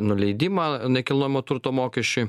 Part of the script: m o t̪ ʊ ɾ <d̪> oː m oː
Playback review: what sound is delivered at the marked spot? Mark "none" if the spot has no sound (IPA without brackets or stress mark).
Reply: t̪